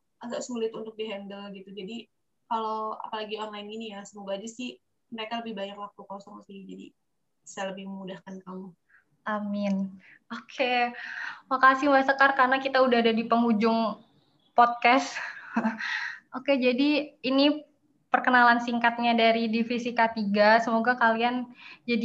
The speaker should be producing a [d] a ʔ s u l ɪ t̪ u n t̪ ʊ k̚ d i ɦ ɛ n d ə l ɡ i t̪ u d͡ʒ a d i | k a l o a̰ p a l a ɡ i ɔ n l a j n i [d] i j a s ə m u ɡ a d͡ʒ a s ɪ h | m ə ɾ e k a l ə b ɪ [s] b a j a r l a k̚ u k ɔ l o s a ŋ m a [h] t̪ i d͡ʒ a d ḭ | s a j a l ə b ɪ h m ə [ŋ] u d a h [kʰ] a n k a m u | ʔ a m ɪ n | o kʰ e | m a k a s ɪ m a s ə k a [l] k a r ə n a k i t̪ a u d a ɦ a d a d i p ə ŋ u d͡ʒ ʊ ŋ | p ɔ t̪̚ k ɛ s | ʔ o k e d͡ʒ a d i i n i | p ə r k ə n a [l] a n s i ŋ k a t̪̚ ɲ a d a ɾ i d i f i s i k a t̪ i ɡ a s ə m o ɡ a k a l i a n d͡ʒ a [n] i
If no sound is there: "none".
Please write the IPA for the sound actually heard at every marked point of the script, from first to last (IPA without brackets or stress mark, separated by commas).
ɡ, n, h, s, m, k, r, l, d